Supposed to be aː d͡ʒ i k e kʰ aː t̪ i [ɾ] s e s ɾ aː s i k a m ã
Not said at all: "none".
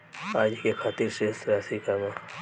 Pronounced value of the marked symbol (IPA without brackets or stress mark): ɾ